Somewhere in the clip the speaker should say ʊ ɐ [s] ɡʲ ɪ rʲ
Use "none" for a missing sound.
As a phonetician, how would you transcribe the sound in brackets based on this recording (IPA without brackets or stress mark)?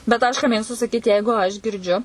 ʃ